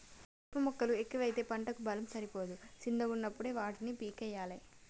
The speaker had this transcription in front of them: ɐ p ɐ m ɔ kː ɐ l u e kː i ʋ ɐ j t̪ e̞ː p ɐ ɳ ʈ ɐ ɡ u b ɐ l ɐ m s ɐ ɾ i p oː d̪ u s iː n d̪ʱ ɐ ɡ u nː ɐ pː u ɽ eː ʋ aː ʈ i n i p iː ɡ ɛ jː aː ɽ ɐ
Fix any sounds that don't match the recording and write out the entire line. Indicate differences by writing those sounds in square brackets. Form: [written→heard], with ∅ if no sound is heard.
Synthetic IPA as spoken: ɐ p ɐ m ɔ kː ɐ l u e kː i ʋ ɐ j t̪ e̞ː p ɐ ɳ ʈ ɐ [ɡ→k] u b ɐ l ɐ m s ɐ ɾ i p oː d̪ u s [iː→i] n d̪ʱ ɐ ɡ u nː ɐ pː u ɽ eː ʋ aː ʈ i n i p iː [ɡ→k] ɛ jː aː [ɽ→l] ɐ

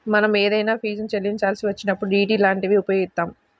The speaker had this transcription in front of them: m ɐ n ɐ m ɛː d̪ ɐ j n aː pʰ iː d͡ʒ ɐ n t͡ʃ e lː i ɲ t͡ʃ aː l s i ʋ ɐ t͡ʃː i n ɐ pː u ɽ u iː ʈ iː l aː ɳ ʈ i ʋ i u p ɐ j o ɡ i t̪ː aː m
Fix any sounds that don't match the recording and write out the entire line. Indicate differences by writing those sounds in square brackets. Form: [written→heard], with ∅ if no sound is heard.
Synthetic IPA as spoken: m ɐ n ɐ m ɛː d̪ ɐ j n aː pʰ iː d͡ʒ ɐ n t͡ʃ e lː i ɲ t͡ʃ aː l s i ʋ ɐ t͡ʃː i n ɐ pː u ɽ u iː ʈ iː l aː ɳ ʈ i ʋ i u p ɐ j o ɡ i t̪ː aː m

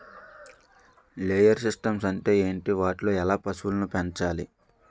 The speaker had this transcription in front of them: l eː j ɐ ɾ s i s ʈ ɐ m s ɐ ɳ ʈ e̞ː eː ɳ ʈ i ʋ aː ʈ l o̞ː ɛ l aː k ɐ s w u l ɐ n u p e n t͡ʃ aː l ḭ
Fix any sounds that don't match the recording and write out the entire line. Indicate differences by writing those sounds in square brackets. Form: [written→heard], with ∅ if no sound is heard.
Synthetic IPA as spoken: l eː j ɐ ɾ s i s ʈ ɐ m s ɐ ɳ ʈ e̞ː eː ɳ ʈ i ʋ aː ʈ l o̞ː ɛ l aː [k→p] ɐ s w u l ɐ n u p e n t͡ʃ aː l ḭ

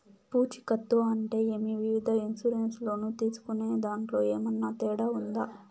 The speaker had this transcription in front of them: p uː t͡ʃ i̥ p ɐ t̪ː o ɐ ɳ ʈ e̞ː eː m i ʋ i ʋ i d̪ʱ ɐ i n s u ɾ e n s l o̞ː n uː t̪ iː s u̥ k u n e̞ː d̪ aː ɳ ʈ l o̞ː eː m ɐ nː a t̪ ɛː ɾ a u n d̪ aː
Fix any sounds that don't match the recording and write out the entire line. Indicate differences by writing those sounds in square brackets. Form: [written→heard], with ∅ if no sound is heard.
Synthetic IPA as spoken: p uː t͡ʃ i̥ [p→k] ɐ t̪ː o ɐ ɳ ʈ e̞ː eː m i ʋ i ʋ i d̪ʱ ɐ i n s u ɾ e n s l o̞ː n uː t̪ iː s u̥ k u n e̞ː d̪ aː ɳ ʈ l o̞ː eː m ɐ nː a t̪ ɛː [ɾ→ɽ] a u n d̪ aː

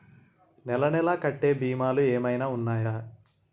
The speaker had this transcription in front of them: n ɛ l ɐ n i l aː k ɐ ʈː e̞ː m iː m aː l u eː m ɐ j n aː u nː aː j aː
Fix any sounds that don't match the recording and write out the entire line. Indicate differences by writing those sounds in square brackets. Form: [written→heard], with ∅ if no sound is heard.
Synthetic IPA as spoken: n ɛ l ɐ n [i→ɛ] l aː k ɐ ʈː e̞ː [m→b] iː m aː l u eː m ɐ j n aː u nː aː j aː

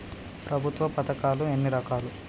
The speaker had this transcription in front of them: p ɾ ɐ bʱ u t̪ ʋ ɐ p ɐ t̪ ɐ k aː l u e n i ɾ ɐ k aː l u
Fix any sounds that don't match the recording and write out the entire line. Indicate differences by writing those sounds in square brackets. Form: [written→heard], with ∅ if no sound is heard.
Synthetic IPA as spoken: p ɾ ɐ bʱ u t̪ ʋ ɐ p ɐ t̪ ɐ k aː l u e [n→nː] i ɾ ɐ k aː l u

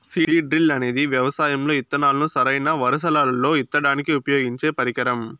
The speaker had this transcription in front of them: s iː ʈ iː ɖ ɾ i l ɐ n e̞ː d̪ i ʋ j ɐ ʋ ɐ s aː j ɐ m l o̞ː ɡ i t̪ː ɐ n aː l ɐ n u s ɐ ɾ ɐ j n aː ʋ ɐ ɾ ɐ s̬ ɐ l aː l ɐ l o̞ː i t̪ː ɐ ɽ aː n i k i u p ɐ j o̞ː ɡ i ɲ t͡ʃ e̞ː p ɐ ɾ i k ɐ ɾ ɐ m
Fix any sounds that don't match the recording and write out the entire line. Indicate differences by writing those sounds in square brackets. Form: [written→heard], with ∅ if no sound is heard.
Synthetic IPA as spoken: s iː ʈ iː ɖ ɾ i l ɐ n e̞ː d̪ i ʋ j ɐ ʋ ɐ s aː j ɐ m l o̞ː [ɡ→∅] i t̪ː ɐ n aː l ɐ n u s ɐ ɾ ɐ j n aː ʋ ɐ ɾ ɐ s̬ ɐ l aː l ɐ l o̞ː i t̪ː ɐ ɽ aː n i k i u p ɐ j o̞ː ɡ i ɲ t͡ʃ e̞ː p ɐ ɾ i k ɐ ɾ ɐ m

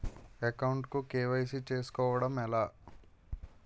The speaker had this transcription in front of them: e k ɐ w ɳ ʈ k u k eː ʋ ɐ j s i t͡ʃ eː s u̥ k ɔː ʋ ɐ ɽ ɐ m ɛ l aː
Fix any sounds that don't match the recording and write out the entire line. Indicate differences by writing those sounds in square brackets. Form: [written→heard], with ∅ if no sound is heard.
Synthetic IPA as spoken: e k ɐ w ɳ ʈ k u k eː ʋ ɐ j s i t͡ʃ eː s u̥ k ɔː ʋ ɐ ɽ ɐ m ɛ l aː

